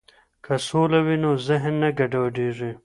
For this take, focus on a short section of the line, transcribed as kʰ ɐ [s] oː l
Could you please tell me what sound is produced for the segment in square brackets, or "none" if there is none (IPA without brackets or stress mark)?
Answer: s